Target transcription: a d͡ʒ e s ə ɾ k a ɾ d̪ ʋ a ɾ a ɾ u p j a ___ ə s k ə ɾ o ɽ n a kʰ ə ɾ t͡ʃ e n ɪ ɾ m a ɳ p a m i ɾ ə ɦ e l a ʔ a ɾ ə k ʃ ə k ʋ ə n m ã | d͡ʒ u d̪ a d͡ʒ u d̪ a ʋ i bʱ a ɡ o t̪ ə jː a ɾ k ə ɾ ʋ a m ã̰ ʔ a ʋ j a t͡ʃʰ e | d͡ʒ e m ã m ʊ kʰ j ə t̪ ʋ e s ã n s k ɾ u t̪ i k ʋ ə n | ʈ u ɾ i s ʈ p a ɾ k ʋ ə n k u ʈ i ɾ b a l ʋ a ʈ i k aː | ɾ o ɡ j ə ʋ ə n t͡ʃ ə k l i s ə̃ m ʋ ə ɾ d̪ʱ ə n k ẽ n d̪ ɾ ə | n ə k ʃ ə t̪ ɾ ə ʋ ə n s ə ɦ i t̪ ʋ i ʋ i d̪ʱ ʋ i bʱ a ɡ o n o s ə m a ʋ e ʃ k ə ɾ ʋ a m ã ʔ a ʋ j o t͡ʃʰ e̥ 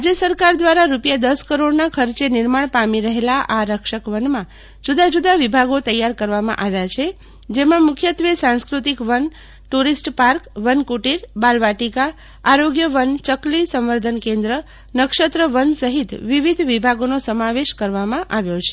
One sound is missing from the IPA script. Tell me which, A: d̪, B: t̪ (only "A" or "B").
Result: A